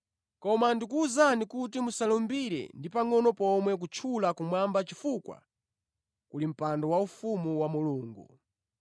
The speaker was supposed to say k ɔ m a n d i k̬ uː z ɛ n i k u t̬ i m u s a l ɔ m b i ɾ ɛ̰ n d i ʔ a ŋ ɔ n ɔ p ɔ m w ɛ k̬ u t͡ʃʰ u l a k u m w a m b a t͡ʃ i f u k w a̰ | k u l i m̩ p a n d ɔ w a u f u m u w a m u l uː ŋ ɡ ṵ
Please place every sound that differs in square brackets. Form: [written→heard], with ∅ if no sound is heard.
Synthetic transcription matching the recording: k ɔ m a n d i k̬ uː z [ɛ→a] n i k u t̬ i m u s a l ɔ m b i ɾ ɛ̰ n d i [ʔ→p] a ŋ ɔ n ɔ p ɔ m w ɛ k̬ u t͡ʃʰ u l a k u m w a m b a t͡ʃ i f u k w a̰ | k u l i m̩ p a n d ɔ w a u f u m u w a m u l uː ŋ ɡ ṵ